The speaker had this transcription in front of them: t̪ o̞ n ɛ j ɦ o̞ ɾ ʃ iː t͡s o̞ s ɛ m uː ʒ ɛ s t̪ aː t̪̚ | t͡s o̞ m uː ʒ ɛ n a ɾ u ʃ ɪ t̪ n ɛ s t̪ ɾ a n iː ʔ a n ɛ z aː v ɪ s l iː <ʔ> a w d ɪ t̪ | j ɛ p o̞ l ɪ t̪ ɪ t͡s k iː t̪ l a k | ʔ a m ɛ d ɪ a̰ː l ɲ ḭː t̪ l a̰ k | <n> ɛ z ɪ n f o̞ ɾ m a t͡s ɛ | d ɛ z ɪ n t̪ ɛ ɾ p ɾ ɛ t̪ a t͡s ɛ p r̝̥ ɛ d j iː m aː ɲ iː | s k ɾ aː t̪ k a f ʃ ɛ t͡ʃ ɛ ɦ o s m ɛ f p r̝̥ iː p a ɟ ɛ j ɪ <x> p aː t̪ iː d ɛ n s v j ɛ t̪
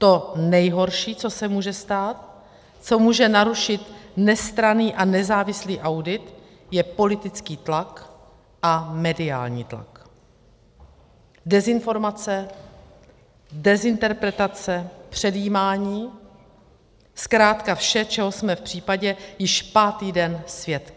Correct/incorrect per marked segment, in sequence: correct, incorrect, incorrect

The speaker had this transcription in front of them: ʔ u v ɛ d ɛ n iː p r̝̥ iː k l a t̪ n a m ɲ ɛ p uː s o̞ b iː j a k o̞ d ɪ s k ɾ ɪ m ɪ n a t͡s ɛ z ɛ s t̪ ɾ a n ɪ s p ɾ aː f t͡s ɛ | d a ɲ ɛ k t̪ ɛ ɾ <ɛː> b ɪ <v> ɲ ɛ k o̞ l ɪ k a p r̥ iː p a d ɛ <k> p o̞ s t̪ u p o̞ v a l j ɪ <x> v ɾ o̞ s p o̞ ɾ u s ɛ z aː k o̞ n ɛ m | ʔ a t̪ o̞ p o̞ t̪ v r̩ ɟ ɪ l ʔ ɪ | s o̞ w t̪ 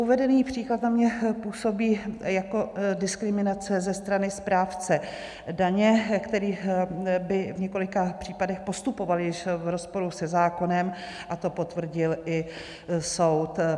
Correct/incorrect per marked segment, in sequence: incorrect, correct, incorrect, incorrect

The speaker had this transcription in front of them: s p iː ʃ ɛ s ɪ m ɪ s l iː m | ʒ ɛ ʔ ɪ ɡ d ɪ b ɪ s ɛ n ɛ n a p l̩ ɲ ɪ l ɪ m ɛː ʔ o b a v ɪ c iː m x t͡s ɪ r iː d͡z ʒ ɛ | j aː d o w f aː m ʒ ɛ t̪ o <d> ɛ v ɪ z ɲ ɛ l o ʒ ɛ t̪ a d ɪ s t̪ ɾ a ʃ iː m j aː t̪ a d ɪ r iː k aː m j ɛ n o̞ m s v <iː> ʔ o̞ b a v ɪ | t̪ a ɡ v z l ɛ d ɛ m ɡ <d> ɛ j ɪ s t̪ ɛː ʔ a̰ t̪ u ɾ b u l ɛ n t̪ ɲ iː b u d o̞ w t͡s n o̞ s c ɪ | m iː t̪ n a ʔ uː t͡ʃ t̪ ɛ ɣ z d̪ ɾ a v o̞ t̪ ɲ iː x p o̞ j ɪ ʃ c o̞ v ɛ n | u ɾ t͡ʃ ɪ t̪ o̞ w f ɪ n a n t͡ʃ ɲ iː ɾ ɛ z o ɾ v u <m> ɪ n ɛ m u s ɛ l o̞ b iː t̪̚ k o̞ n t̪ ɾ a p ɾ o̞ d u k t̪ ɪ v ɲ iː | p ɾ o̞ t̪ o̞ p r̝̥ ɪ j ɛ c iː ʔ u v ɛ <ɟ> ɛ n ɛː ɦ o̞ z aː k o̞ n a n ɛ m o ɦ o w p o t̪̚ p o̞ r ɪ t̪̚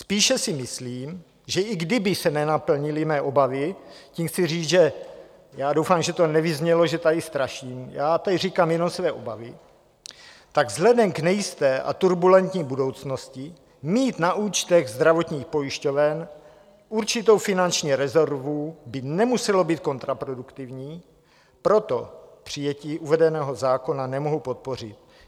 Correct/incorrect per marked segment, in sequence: incorrect, incorrect, incorrect, incorrect, incorrect

